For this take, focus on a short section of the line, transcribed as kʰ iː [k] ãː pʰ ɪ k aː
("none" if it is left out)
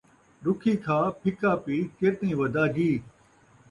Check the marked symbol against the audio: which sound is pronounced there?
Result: kʰ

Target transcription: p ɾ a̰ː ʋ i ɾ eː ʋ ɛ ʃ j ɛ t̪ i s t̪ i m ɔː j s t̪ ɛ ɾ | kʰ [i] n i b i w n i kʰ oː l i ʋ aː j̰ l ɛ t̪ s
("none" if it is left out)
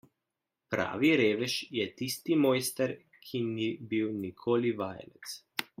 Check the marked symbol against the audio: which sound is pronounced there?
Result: i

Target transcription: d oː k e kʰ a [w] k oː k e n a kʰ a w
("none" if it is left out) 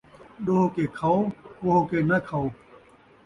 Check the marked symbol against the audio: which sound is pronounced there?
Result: w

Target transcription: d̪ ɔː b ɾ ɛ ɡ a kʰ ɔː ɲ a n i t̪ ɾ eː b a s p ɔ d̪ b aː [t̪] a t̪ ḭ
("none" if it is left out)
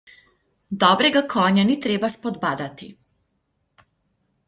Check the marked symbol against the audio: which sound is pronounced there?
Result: d̪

